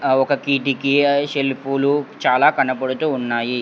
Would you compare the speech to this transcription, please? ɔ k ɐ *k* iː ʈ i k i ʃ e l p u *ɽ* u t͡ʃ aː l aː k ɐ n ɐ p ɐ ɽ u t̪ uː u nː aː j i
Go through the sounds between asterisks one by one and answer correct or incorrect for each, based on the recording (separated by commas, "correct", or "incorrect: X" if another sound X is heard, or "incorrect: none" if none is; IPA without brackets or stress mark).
correct, incorrect: l